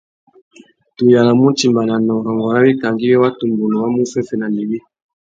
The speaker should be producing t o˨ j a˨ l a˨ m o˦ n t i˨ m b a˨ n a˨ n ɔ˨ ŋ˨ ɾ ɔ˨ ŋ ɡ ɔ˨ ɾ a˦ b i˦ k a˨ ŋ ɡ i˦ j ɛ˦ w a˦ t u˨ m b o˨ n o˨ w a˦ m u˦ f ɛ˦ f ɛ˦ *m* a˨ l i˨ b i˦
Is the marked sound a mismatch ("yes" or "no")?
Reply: yes